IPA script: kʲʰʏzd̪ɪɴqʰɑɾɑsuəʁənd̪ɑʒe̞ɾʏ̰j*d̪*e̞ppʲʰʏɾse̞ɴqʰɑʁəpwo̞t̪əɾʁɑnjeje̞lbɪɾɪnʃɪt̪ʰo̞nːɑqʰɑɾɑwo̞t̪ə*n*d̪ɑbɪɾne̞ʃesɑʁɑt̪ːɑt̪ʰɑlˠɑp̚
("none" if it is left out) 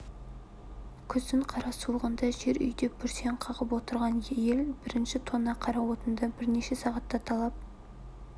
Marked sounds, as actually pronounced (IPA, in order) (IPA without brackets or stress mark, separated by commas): d̪, n